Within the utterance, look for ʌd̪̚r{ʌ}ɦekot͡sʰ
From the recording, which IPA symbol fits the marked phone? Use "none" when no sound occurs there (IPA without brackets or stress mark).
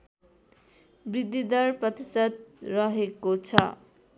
ʌ